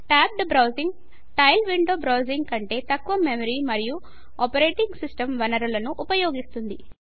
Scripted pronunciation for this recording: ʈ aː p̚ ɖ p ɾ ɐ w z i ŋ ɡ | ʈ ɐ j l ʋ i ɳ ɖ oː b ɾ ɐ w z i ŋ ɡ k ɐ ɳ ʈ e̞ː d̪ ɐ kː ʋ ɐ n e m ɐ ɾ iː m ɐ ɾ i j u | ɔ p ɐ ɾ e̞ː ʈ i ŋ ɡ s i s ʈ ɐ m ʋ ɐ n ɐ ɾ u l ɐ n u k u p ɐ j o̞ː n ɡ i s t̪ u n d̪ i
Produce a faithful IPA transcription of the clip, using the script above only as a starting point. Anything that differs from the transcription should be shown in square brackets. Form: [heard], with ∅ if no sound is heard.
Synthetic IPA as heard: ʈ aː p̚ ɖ [b] ɾ ɐ w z i ŋ ɡ | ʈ ɐ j l ʋ i ɳ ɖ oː b ɾ ɐ w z i ŋ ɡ k ɐ ɳ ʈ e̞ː [t̪] ɐ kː ʋ ɐ [m] e m ɐ ɾ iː m ɐ ɾ i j u | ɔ p ɐ ɾ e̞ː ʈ i ŋ ɡ s i s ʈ ɐ m ʋ ɐ n ɐ ɾ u l ɐ n u [ʔ] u p ɐ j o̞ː [∅] ɡ i s t̪ u n d̪ i